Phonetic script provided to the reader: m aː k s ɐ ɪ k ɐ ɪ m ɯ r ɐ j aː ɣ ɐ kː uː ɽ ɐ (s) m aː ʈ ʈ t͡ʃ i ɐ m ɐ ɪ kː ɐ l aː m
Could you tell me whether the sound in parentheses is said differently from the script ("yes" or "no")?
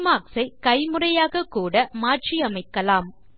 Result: yes